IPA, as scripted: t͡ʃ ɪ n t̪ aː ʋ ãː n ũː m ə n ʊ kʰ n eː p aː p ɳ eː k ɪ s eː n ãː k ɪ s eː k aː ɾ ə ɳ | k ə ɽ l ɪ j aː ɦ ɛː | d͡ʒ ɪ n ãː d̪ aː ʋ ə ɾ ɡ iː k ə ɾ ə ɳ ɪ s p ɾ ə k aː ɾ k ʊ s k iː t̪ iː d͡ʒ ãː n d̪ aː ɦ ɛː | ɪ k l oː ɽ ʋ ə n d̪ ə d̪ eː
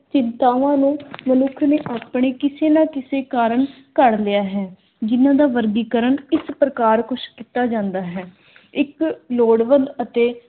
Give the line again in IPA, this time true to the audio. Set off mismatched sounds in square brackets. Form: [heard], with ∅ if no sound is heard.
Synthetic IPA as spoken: t͡ʃ ɪ n t̪ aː ʋ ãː n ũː m ə n ʊ kʰ n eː [ʔ] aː p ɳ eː k ɪ s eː n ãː k ɪ s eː k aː ɾ ə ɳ | k ə ɽ l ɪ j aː ɦ ɛː | d͡ʒ ɪ n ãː d̪ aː ʋ ə ɾ ɡ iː k ə ɾ ə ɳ ɪ s p ɾ ə k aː ɾ k ʊ [ʃ] k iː t̪ [aː] d͡ʒ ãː n d̪ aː ɦ ɛː | ɪ k l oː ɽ ʋ ə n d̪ ə [t̪] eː